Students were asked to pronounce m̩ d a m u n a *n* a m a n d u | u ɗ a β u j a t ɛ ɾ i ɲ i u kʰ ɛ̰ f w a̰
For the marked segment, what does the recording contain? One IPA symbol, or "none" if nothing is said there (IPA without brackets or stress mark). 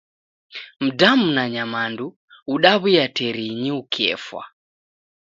ɲ